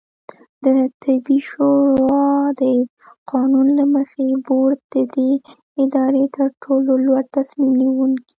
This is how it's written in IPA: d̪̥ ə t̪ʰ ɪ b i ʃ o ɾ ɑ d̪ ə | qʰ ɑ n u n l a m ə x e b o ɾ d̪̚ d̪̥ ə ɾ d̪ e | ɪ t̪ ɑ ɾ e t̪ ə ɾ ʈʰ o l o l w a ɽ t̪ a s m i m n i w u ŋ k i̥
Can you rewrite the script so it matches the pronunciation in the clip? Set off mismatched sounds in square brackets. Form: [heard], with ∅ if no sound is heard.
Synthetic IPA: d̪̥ ə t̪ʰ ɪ b i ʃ o ɾ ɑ d̪ ə | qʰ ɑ n u n l a m ə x e b o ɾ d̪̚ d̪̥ ə [∅] d̪ e | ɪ [d̪] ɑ ɾ e t̪ ə ɾ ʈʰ o l o l w a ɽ t̪ a s m i m n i w u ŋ k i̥